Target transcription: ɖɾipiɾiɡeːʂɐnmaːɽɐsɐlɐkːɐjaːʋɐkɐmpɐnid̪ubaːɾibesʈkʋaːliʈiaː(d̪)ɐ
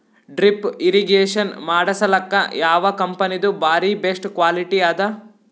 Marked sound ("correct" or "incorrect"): correct